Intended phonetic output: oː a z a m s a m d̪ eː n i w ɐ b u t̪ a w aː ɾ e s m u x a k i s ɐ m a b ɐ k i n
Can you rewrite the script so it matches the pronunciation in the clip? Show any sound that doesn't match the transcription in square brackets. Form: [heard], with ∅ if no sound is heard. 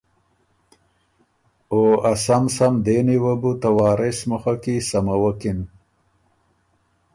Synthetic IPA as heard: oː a [s] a m s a m d̪ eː n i w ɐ b u t̪ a w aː ɾ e s m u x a k i s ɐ m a [w] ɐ k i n